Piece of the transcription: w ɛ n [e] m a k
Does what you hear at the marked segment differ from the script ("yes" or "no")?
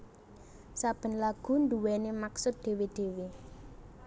no